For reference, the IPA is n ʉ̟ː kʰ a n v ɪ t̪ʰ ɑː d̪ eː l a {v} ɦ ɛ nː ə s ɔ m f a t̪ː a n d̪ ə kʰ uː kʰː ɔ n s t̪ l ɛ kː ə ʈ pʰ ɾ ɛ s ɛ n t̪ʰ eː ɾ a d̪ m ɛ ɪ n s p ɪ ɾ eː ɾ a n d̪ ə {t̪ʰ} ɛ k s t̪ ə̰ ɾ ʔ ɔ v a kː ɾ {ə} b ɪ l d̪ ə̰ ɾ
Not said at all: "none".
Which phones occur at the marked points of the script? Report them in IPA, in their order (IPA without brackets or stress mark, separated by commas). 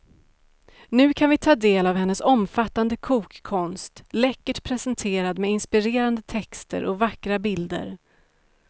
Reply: v, t̪ʰ, a